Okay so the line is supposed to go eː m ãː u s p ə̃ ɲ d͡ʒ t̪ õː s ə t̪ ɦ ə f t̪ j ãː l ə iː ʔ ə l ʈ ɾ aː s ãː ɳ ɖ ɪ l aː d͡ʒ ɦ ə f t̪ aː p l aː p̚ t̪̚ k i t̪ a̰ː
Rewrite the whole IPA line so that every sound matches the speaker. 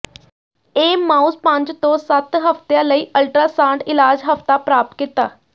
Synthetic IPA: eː m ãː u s p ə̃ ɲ d͡ʒ t̪ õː s ə t̪ ɦ ə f t̪ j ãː l ə iː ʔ ə l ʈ ɾ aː s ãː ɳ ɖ ɪ l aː d͡ʒ ɦ ə f t̪ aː p ɾ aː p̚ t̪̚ k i t̪ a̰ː